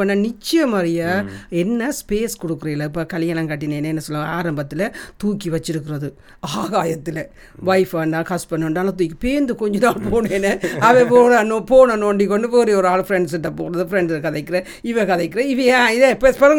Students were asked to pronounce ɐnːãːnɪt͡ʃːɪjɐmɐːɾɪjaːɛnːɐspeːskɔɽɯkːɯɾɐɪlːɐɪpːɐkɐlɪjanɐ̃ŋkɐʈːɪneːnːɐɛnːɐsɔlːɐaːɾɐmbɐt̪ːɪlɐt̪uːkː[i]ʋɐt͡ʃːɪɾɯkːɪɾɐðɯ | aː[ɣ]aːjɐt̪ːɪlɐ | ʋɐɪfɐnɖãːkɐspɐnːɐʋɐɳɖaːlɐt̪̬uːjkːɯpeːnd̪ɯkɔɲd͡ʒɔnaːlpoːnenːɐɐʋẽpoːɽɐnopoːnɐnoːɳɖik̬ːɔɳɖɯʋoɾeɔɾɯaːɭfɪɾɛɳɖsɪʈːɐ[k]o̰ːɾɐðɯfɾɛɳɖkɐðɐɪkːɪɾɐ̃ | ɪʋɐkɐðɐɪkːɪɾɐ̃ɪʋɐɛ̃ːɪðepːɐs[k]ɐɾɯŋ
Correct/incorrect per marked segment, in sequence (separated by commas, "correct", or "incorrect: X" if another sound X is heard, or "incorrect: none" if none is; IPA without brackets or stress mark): correct, correct, incorrect: p, incorrect: p